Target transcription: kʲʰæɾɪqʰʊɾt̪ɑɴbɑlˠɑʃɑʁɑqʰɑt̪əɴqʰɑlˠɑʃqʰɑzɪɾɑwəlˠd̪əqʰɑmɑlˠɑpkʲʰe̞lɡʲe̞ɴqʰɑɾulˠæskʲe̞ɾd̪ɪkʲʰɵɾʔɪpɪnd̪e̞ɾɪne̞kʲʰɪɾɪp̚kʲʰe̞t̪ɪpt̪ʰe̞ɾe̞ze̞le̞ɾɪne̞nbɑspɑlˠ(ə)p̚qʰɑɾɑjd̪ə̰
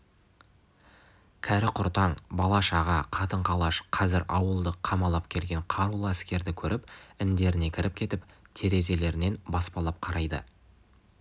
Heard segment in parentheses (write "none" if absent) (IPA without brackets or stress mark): ɑ